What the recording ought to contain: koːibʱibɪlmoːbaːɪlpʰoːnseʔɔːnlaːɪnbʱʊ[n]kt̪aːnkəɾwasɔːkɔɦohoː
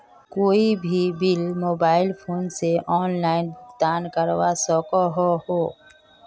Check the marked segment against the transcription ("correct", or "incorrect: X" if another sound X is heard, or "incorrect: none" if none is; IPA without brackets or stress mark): incorrect: none